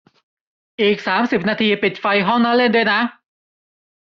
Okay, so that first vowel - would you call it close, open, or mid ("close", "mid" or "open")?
close